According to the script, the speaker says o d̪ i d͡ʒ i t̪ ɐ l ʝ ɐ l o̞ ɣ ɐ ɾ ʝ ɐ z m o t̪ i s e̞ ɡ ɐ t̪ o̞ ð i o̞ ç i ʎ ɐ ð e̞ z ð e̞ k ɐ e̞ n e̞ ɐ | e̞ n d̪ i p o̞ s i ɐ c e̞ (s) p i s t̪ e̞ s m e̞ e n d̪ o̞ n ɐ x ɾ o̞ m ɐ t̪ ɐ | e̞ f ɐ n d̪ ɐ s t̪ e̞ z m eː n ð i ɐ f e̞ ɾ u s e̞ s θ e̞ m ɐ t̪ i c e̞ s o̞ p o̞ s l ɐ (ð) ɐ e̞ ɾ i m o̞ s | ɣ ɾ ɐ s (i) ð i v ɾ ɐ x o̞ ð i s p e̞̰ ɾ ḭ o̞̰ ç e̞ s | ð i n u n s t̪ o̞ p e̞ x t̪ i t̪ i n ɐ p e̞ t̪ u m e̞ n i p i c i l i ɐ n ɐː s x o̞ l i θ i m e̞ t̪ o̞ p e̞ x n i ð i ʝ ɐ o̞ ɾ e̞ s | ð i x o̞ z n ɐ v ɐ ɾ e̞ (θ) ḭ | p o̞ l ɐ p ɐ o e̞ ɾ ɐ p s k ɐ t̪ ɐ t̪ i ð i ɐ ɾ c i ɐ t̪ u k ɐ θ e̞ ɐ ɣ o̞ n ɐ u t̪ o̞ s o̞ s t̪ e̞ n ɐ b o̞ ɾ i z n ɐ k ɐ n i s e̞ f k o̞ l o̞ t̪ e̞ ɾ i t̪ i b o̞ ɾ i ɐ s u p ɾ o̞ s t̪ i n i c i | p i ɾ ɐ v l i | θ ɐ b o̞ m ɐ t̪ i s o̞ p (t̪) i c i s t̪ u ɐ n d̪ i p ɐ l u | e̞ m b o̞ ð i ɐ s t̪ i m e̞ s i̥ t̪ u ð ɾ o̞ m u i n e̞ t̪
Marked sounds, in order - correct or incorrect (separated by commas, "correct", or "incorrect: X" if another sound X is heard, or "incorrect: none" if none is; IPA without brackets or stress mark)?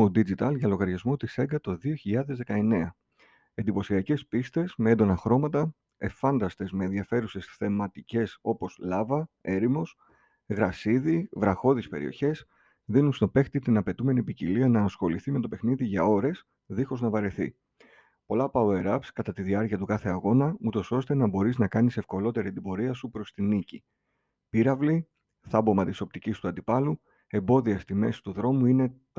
correct, incorrect: v, correct, correct, correct